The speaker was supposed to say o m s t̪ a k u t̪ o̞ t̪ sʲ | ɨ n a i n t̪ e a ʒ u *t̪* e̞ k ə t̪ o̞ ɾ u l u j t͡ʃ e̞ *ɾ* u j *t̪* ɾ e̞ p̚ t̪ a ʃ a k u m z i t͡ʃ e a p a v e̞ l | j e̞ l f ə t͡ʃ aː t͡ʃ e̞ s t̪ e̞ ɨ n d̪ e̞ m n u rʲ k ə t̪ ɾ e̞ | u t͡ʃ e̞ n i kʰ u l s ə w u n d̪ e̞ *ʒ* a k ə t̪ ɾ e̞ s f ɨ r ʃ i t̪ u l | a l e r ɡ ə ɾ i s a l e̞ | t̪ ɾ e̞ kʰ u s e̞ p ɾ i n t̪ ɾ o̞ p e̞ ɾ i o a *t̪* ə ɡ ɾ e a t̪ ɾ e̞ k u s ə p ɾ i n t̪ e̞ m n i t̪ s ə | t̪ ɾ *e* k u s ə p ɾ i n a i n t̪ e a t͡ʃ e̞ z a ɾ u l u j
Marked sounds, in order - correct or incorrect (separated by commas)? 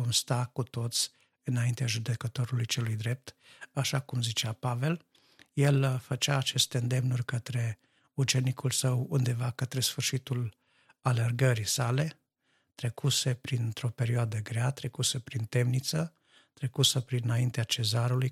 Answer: incorrect, incorrect, incorrect, incorrect, incorrect, correct